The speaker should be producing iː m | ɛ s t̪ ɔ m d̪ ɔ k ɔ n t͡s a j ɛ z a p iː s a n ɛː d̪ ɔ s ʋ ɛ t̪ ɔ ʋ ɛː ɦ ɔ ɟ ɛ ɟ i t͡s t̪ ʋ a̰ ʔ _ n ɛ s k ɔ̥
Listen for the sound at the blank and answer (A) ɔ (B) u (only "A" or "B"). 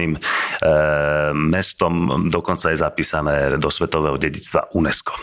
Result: B